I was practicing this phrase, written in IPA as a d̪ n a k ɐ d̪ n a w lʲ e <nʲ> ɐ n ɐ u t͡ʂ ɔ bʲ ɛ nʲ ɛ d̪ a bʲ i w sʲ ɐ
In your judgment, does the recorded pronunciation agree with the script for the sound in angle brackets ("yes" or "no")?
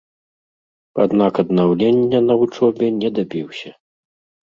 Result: no